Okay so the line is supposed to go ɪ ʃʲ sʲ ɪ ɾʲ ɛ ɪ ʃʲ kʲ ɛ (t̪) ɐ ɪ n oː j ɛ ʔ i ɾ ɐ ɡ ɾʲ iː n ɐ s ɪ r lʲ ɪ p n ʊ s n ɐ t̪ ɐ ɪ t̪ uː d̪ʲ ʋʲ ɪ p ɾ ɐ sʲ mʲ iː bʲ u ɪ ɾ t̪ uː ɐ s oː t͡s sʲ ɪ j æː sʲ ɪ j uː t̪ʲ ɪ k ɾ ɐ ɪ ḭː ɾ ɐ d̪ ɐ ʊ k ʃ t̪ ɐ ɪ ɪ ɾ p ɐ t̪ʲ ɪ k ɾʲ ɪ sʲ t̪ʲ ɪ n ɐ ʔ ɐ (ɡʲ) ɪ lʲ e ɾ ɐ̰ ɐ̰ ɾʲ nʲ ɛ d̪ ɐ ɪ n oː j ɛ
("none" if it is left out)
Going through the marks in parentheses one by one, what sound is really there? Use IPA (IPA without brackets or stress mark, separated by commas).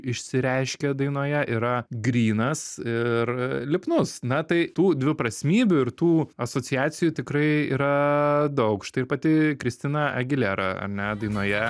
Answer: d̪, ɡʲ